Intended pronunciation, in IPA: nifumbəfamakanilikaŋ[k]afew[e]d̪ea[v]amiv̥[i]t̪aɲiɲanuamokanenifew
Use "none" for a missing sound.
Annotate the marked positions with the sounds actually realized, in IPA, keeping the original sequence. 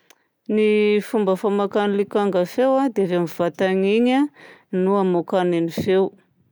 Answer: ɡ, a, v, a

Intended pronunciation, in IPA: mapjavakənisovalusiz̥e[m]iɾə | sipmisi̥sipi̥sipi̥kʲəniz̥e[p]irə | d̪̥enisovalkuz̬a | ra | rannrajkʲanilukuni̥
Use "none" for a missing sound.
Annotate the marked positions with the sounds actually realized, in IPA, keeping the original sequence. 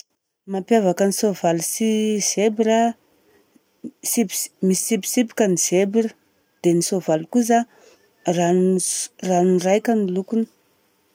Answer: b, b

